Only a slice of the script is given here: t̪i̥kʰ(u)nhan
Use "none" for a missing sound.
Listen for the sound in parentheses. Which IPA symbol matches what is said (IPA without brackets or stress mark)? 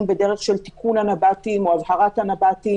u